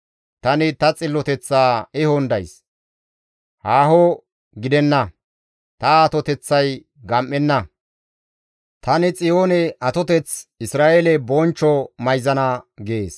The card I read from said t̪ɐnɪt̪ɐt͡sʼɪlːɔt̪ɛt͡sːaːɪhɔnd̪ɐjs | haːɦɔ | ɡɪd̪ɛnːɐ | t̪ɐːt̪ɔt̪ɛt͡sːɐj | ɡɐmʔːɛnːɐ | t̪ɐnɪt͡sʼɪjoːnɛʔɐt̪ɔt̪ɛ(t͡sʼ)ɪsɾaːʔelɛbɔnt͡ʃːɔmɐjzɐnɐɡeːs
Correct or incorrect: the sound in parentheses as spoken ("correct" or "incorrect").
incorrect